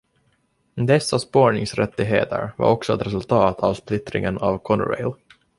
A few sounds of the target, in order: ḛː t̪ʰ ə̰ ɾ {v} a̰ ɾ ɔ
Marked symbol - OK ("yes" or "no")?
yes